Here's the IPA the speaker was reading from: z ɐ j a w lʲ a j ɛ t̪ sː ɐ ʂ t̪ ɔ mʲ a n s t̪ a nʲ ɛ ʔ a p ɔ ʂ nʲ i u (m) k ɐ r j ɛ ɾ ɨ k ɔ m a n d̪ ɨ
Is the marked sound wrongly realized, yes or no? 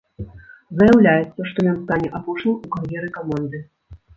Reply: yes